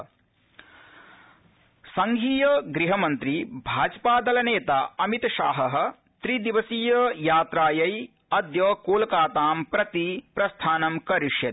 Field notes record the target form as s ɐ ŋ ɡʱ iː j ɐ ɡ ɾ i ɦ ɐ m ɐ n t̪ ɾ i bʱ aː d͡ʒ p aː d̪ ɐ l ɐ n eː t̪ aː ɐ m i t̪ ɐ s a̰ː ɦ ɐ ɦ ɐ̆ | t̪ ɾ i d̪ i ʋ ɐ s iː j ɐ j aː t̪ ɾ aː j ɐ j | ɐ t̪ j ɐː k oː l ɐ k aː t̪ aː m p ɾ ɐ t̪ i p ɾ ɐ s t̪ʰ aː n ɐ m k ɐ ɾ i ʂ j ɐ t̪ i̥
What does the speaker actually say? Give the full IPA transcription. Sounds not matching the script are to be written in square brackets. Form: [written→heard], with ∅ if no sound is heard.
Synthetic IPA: s ɐ ŋ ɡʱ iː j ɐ ɡ ɾ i ɦ ɐ m ɐ n t̪ ɾ i bʱ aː d͡ʒ p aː d̪ ɐ l ɐ n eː t̪ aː ɐ m i t̪ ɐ [s→ʃ] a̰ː ɦ ɐ ɦ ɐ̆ | t̪ ɾ i d̪ i ʋ ɐ s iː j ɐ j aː t̪ ɾ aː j ɐ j | ɐ [t̪→d̪] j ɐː k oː l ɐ k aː t̪ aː m p ɾ ɐ t̪ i p ɾ ɐ s t̪ʰ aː n ɐ m k ɐ ɾ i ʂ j ɐ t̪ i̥